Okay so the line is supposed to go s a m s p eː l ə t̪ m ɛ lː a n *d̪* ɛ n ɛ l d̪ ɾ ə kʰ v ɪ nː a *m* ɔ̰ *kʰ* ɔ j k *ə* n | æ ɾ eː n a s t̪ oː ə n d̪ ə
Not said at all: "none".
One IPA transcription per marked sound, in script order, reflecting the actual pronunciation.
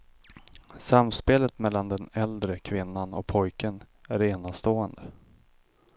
d̪, n, pʰ, ə

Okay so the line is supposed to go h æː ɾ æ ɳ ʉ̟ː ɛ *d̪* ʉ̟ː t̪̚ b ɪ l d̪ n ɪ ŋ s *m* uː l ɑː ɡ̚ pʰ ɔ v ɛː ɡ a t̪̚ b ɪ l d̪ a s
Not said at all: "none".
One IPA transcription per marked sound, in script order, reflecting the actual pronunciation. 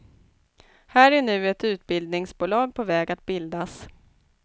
t̪, b

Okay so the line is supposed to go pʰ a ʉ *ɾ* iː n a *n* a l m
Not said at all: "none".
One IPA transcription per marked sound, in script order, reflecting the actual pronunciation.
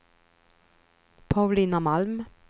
l, m

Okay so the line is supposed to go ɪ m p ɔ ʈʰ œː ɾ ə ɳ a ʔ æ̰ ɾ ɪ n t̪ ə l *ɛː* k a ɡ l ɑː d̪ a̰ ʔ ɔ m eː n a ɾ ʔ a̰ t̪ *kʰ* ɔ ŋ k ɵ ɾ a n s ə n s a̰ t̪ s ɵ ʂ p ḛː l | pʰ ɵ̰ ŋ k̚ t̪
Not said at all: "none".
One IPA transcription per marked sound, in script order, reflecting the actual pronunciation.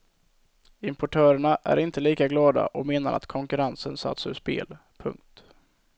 iː, kʰ

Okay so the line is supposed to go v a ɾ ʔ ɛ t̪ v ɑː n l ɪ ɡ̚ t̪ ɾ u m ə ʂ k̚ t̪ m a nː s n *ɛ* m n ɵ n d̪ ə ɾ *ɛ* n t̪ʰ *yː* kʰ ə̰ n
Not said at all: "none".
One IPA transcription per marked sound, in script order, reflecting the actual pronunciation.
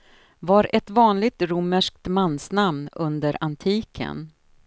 a, a, iː

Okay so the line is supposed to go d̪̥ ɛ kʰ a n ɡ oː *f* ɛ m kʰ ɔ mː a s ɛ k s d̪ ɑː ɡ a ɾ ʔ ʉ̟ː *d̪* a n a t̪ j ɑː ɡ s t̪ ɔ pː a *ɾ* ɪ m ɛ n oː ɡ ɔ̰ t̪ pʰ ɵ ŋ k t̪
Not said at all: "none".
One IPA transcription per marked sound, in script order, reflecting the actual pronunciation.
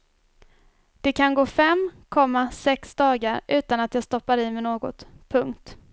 f, t̪, ɾ

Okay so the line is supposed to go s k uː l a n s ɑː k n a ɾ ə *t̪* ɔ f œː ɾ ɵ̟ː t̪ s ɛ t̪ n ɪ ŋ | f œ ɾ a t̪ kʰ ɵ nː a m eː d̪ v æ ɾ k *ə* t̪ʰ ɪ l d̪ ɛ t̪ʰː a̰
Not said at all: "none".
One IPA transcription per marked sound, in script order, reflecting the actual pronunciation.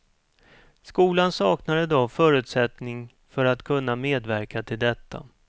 d̪, a

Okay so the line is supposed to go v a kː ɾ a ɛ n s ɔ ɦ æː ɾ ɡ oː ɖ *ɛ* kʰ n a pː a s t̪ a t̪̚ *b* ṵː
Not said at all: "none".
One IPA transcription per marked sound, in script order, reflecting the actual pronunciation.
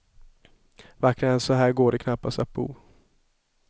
ɛ, b

